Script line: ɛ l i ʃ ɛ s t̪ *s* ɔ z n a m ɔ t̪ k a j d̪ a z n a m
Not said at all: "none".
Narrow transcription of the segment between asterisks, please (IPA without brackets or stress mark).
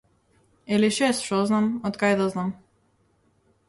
ʃ